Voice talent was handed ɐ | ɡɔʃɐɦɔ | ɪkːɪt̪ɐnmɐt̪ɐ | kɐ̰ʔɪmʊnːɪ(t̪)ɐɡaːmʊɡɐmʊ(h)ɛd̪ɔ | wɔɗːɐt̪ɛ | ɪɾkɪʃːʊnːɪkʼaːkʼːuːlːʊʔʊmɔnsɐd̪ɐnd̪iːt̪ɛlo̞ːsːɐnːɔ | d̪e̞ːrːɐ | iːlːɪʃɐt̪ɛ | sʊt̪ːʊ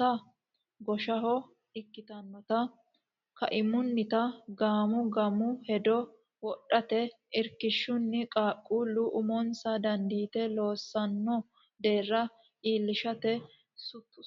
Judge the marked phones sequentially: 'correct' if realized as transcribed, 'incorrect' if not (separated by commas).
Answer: correct, correct